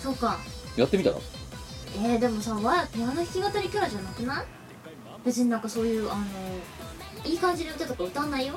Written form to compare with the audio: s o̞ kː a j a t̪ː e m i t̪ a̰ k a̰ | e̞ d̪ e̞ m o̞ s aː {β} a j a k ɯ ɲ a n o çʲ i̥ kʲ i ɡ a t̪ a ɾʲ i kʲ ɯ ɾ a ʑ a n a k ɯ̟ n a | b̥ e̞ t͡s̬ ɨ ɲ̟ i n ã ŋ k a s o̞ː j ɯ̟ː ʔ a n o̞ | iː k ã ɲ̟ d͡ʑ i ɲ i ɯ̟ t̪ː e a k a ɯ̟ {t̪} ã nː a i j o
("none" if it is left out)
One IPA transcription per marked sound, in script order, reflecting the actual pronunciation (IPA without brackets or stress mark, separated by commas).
β, t̪